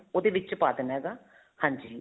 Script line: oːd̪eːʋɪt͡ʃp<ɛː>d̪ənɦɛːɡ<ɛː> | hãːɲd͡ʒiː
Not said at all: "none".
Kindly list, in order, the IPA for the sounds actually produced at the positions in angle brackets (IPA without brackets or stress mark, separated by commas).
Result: aː, aː